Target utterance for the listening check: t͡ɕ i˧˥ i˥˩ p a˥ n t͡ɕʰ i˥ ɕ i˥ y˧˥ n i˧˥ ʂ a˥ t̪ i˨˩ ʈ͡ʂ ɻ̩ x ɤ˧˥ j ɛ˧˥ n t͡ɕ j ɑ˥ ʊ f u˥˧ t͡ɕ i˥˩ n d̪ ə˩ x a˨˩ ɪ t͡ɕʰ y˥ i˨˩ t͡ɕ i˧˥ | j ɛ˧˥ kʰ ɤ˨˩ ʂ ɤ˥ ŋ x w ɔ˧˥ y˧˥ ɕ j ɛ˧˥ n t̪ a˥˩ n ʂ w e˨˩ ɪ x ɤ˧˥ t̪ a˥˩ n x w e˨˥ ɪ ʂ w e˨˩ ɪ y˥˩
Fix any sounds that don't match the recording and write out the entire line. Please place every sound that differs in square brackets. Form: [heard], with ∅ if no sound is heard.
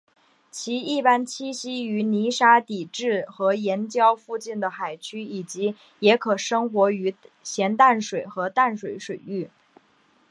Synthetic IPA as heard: [t͡ɕʰ] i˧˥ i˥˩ p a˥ n t͡ɕʰ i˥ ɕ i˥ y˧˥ n i˧˥ ʂ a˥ t̪ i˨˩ ʈ͡ʂ ɻ̩ x ɤ˧˥ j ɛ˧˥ n t͡ɕ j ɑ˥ ʊ f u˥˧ t͡ɕ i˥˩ n d̪ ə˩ x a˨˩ ɪ t͡ɕʰ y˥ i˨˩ t͡ɕ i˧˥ | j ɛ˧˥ kʰ ɤ˨˩ ʂ ɤ˥ ŋ x w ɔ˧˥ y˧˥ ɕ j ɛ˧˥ n t̪ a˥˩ n ʂ w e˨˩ ɪ x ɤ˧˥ t̪ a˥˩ n [ʂ] w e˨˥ ɪ ʂ w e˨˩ ɪ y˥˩